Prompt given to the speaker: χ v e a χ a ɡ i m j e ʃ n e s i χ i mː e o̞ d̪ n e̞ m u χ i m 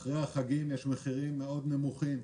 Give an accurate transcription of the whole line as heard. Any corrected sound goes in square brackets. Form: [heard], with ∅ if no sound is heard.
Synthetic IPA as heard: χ [ʁ] e a χ a ɡ i m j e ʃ [m] e [χ] i [ʁ] i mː e o̞ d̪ n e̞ m u χ i m